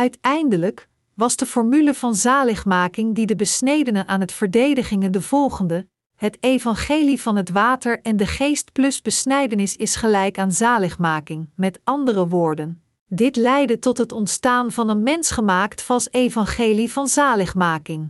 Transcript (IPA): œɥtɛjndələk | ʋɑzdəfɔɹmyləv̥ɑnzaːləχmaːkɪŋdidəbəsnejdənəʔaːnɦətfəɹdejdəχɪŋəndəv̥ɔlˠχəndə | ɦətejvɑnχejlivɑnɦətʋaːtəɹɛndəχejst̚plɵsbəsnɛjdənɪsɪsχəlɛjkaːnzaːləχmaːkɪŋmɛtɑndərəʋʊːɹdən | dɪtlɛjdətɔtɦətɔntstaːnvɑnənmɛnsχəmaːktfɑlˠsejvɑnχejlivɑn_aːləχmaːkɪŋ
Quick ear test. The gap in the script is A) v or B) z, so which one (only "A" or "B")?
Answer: B